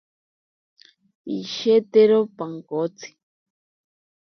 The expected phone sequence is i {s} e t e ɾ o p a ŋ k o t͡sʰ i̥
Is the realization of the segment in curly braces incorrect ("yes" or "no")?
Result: yes